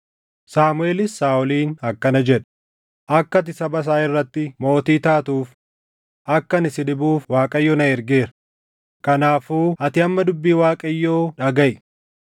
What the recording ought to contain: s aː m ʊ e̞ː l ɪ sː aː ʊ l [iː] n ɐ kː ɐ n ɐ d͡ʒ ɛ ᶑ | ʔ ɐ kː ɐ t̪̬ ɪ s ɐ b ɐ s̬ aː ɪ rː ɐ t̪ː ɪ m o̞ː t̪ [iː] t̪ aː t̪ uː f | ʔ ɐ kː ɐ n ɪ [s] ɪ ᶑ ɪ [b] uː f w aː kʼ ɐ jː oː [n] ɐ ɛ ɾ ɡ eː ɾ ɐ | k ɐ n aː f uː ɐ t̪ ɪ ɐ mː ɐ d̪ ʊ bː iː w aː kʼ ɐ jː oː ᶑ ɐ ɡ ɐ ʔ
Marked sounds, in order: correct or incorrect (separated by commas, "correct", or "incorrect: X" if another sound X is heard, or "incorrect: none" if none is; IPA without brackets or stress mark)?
correct, correct, correct, correct, correct